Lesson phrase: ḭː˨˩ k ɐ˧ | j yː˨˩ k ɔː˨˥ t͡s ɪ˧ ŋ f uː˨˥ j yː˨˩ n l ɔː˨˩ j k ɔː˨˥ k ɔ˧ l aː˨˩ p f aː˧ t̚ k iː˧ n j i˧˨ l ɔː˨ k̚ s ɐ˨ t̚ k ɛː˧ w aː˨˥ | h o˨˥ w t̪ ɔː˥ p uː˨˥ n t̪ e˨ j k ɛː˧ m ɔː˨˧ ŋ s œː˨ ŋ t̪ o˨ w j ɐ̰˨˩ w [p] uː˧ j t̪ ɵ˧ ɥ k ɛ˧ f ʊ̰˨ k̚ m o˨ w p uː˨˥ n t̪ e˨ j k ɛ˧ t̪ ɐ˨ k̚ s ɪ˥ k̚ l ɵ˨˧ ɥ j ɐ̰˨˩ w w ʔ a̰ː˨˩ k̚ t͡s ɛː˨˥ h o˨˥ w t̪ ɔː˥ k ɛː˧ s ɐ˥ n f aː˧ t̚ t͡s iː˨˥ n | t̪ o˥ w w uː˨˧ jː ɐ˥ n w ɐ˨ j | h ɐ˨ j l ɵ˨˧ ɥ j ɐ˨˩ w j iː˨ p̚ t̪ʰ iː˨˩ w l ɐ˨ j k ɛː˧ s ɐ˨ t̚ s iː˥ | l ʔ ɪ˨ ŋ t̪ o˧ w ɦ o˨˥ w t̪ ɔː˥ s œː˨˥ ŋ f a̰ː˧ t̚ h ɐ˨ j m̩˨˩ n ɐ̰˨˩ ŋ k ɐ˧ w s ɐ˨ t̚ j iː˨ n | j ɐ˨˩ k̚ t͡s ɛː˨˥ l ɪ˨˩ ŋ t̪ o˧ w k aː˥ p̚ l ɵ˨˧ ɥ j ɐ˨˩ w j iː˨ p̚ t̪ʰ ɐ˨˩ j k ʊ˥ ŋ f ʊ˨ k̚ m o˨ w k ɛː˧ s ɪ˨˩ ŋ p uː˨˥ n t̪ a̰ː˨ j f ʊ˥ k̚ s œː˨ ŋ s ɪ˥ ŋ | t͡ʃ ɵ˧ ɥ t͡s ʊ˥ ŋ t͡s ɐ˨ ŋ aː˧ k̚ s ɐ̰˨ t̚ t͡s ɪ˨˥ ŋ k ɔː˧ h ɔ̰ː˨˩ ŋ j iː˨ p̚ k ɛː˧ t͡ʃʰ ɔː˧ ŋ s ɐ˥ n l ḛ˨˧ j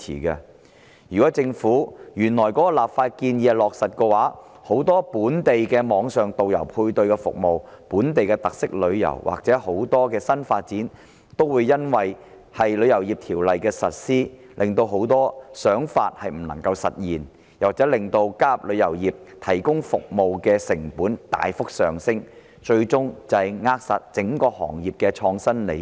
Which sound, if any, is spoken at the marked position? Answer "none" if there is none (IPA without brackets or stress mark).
pʰ